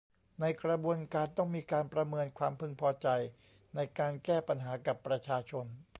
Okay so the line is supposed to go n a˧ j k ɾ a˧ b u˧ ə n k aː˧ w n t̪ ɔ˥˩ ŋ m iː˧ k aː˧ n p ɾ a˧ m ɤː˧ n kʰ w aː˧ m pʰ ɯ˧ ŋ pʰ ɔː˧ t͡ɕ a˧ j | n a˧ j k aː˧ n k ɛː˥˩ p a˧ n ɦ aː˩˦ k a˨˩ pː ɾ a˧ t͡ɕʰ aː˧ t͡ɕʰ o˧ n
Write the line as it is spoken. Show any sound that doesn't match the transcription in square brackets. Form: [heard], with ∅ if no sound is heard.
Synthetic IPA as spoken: n a˧ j k ɾ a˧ b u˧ ə n k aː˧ [∅] n t̪ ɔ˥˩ ŋ m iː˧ k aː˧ n p ɾ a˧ m ɤː˧ n kʰ w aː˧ m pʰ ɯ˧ ŋ pʰ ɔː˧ t͡ɕ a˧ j | n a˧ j k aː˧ n k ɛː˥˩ p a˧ n ɦ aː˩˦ k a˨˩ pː ɾ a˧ t͡ɕʰ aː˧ t͡ɕʰ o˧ n